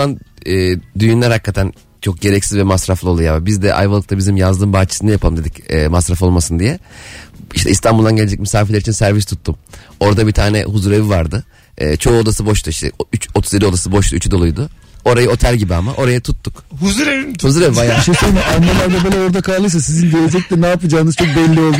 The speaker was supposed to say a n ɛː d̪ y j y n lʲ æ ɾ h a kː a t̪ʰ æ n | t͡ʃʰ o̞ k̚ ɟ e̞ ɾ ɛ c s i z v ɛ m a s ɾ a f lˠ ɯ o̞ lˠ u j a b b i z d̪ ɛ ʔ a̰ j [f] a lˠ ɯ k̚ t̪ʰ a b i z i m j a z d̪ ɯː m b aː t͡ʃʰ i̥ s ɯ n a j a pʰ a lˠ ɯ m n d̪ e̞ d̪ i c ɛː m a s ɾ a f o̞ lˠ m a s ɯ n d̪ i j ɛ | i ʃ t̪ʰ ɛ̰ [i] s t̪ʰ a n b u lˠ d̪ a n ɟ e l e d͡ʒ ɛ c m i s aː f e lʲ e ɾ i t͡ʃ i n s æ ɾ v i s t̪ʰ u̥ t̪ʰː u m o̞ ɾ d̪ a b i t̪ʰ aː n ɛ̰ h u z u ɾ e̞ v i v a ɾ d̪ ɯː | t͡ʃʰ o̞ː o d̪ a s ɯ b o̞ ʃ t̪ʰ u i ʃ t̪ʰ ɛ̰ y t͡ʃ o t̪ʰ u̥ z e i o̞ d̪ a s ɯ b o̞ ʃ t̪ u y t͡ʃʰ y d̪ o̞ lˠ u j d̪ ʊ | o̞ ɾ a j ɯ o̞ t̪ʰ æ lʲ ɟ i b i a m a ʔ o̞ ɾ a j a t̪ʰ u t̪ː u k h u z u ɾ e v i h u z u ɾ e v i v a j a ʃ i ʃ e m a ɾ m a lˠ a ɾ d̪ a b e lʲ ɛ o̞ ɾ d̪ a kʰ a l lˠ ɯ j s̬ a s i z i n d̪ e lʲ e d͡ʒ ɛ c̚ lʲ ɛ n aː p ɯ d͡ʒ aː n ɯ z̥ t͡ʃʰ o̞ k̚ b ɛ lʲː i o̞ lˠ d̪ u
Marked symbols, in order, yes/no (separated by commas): no, yes